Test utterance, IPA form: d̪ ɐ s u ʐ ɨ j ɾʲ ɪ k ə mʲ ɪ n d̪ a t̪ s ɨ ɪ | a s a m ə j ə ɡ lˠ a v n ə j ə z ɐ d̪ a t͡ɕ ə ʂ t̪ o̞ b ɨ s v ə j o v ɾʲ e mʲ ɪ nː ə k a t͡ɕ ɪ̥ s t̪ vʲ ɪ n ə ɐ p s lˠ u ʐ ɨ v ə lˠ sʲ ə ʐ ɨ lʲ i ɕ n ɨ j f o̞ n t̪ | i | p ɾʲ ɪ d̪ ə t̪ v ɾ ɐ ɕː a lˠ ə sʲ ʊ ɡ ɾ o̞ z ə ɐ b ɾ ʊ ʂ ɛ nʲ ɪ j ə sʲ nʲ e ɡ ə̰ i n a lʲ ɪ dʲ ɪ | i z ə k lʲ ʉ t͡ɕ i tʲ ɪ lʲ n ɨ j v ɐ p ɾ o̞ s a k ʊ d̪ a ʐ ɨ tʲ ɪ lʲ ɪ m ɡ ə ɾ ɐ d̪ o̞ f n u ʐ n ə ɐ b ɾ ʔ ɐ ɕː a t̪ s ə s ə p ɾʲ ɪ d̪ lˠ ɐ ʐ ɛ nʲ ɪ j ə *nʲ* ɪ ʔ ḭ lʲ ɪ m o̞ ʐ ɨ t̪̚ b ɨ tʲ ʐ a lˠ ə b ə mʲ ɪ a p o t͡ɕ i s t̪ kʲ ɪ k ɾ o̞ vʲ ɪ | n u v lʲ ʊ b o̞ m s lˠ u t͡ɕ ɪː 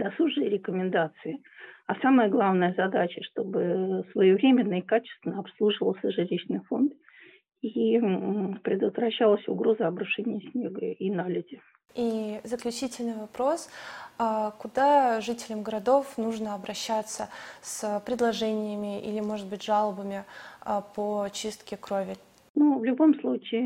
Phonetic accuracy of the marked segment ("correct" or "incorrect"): incorrect